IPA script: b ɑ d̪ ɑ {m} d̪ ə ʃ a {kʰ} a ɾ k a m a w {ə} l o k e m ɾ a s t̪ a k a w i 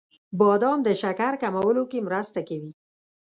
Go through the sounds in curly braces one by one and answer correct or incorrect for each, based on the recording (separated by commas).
correct, incorrect, correct